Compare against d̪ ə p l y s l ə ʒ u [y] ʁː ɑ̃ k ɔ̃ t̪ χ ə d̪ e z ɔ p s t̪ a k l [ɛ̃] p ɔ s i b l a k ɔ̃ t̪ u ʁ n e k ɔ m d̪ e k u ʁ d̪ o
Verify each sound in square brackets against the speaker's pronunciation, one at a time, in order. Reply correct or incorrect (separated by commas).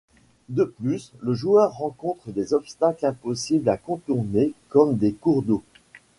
incorrect, correct